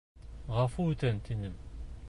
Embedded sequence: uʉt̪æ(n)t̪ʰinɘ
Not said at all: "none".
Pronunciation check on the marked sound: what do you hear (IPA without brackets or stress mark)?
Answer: n